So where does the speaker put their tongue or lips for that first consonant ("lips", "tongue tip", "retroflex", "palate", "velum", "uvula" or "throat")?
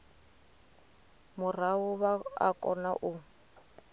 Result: lips